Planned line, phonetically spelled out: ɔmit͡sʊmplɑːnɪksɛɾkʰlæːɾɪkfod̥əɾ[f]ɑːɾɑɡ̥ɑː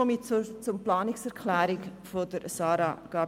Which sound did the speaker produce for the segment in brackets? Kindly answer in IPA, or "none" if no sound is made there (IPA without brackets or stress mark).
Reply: s